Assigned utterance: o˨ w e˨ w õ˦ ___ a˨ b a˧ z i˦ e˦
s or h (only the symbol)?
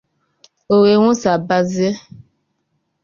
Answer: s